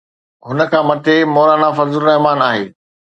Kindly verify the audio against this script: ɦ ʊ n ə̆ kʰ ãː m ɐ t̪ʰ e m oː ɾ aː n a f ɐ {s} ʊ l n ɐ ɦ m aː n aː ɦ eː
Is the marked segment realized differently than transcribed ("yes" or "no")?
yes